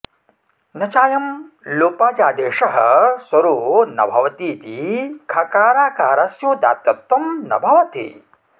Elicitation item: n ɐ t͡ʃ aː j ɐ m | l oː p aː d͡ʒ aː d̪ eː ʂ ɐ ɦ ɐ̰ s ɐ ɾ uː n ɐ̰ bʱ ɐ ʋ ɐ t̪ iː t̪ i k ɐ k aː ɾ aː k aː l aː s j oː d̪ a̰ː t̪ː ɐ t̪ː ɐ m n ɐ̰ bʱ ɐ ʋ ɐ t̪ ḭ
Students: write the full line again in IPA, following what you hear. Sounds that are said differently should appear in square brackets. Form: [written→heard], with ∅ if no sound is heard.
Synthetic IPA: n ɐ t͡ʃ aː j ɐ m | l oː p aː d͡ʒ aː d̪ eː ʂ ɐ ɦ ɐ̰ s ɐ ɾ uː n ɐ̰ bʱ ɐ ʋ ɐ t̪ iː t̪ i [k→kʰ] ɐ k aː ɾ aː k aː [l→ɾ] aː s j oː d̪ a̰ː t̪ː ɐ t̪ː ɐ m n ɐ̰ bʱ ɐ ʋ ɐ t̪ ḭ